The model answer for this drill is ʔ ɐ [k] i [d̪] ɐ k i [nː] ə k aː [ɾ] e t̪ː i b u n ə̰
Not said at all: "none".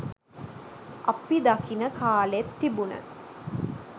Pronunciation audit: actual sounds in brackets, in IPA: p, d̪, n, l

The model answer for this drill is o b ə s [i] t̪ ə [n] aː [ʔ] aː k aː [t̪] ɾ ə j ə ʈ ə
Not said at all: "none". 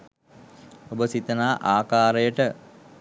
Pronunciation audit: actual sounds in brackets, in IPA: i, n, ʔ, none

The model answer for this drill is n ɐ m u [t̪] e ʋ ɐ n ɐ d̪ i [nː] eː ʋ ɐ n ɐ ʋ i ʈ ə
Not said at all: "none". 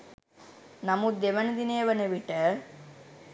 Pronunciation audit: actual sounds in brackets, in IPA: d̪, n

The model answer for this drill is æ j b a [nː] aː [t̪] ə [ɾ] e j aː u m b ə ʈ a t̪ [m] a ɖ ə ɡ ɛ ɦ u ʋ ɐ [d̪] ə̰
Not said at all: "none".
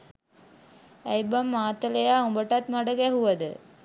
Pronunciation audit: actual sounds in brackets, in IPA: mː, t̪, l, m, d̪

